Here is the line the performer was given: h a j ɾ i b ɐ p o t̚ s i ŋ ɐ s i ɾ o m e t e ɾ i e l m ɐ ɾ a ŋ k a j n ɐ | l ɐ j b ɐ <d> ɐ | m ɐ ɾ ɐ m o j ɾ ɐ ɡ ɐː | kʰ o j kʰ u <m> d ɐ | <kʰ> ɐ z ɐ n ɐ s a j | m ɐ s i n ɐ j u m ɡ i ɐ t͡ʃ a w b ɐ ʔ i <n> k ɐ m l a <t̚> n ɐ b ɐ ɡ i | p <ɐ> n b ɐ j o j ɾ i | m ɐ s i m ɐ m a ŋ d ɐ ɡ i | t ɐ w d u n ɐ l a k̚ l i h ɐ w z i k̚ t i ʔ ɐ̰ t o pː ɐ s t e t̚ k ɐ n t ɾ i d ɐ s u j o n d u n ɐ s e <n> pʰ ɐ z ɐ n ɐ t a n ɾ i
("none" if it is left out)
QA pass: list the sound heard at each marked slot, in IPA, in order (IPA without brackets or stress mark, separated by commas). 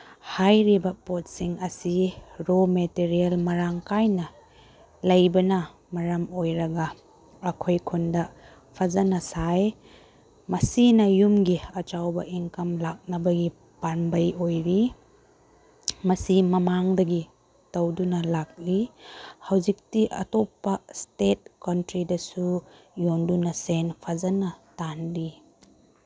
n, n, pʰ, ŋ, k̚, a, n